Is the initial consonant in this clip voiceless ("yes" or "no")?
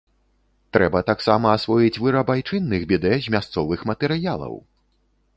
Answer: yes